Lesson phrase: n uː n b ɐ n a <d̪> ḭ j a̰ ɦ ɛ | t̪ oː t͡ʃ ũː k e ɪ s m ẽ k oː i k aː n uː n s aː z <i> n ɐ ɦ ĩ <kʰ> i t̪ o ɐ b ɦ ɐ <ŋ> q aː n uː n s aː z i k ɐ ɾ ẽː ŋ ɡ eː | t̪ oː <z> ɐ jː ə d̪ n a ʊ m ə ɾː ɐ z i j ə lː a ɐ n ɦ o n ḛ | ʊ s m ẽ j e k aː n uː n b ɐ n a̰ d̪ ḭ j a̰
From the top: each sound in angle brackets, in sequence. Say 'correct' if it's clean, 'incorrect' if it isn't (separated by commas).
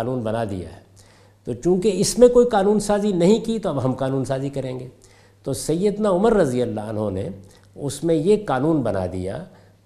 correct, correct, incorrect, incorrect, incorrect